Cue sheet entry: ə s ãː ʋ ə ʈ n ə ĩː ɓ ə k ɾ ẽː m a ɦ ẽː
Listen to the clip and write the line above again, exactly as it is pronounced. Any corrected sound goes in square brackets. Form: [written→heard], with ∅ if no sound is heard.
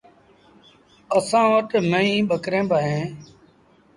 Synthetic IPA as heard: ə s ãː ʋ ə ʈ [n→m] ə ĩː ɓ ə k ɾ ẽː [m→b] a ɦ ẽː